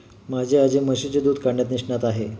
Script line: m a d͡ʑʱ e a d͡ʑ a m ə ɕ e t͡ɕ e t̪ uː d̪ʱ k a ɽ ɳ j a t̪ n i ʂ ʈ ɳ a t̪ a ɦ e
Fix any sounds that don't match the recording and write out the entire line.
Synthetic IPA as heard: m a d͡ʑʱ e a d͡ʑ e m ə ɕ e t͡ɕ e d̪ uː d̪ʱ k a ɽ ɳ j a t̪ n i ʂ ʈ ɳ a t̪ a ɦ e